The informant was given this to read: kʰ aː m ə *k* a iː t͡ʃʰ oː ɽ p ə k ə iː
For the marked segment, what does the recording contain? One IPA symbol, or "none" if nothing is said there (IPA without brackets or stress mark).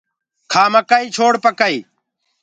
k